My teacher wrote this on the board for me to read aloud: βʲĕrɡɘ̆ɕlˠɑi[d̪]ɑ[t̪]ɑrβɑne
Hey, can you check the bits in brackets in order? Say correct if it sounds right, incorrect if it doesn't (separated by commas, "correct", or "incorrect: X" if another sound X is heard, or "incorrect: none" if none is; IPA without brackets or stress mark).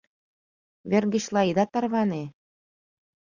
correct, correct